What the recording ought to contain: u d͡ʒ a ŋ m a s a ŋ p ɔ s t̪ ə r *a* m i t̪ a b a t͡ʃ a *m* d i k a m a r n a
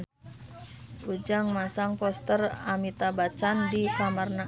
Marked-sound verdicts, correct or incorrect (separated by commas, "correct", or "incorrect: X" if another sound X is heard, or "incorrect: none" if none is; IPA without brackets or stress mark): correct, incorrect: n